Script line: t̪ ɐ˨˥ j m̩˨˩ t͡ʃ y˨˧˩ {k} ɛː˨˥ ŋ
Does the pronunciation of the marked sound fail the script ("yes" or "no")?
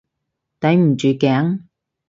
no